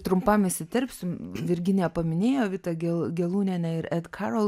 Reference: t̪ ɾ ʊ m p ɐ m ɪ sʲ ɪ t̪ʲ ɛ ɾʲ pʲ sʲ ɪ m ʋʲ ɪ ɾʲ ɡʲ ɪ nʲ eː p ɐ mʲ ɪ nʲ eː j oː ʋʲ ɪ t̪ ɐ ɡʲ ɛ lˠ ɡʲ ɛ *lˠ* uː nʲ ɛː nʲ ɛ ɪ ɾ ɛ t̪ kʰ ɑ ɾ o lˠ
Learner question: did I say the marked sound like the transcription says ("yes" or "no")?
yes